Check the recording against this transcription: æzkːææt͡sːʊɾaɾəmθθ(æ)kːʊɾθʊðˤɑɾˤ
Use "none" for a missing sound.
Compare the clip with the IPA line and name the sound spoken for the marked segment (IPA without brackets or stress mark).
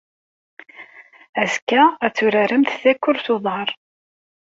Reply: æ